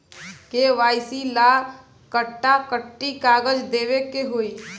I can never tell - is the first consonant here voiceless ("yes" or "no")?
yes